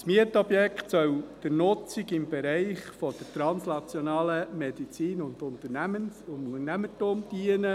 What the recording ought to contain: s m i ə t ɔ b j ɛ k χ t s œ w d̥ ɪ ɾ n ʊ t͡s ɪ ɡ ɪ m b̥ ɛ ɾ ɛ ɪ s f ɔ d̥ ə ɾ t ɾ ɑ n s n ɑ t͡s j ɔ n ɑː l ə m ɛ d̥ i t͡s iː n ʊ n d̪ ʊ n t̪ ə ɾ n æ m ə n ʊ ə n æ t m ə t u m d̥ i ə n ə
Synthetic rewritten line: s m i ə t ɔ b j ɛ k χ t s œ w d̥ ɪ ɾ n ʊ t͡s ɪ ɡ ɪ m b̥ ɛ ɾ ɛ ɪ χ f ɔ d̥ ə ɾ t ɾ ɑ n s n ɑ t͡s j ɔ n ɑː l ə m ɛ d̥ i t͡s iː n ʊ n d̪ ʊ n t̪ ə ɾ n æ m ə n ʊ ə n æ m ə t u m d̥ i ə n ə